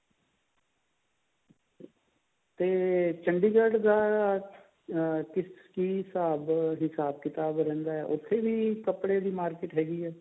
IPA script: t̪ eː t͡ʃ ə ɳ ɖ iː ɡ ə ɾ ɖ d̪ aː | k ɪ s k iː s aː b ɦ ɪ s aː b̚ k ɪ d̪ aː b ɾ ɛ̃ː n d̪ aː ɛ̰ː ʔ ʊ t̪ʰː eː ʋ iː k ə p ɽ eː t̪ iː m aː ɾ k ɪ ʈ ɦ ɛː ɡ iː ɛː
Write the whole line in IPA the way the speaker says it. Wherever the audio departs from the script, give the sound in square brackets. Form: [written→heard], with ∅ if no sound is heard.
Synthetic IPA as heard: t̪ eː t͡ʃ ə ɳ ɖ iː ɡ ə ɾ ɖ d̪ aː | k ɪ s k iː s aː b ɦ ɪ s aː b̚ k ɪ [d̪→t̪] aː b ɾ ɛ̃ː n d̪ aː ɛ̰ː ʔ ʊ t̪ʰː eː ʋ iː k ə p ɽ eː [t̪→d̪] iː m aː ɾ k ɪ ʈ ɦ ɛː ɡ iː ɛː